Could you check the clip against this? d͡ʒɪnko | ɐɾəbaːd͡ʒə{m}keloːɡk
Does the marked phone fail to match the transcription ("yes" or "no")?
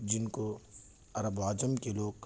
no